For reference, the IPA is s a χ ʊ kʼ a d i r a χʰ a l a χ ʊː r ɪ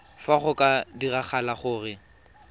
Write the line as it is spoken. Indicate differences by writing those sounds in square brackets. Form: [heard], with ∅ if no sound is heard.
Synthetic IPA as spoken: [f] a χ ʊ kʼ a d i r a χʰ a l a χ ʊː r ɪ